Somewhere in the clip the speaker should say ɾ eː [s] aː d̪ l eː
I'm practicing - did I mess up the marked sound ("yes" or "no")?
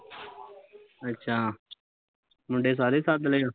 no